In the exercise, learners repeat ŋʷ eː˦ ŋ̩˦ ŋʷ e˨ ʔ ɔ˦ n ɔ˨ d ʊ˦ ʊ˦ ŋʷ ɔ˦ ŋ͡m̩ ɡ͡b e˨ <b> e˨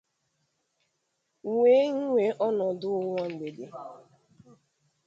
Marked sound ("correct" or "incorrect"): incorrect